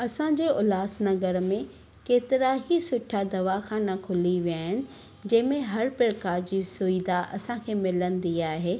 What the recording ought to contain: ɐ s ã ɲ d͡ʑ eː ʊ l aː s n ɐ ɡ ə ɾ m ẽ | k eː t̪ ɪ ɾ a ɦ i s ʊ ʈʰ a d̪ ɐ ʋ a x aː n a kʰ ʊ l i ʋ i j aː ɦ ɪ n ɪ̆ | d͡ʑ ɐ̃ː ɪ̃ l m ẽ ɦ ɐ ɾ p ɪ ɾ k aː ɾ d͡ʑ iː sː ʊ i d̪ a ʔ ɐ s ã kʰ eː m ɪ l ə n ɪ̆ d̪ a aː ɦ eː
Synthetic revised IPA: ɐ s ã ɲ d͡ʑ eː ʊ l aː s n ɐ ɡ ə ɾ m ẽ | k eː t̪ ɪ ɾ a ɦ i s ʊ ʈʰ a d̪ ɐ ʋ a x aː n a kʰ ʊ l i ʋ i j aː ɦ ɪ n ɪ̆ | d͡ʑ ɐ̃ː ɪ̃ m ẽ ɦ ɐ ɾ p ɪ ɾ k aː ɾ d͡ʑ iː s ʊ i d̪ a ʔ ɐ s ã kʰ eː m ɪ l ə n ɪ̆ d̪ i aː ɦ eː